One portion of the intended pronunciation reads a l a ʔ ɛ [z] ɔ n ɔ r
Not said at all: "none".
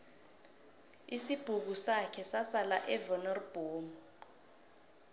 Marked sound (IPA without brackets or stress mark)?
v